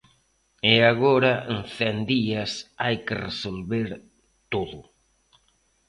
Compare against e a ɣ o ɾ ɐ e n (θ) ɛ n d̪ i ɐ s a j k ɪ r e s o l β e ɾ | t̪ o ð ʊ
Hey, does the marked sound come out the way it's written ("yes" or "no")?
yes